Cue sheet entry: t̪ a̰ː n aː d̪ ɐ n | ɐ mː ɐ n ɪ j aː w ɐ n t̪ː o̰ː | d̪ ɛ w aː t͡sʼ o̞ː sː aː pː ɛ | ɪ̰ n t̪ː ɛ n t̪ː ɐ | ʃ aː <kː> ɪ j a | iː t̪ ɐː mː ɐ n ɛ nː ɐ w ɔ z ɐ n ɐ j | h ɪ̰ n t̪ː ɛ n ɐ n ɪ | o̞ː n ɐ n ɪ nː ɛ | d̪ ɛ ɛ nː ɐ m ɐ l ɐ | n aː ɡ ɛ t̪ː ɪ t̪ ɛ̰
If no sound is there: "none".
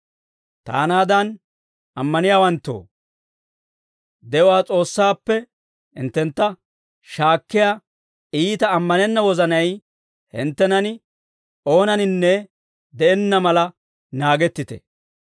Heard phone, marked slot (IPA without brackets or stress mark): kː